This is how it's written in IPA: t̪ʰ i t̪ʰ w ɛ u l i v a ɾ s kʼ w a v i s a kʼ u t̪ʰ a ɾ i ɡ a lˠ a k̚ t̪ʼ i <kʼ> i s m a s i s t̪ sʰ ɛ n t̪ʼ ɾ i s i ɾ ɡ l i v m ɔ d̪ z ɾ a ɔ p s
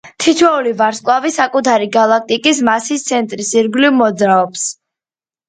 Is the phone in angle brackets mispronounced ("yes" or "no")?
no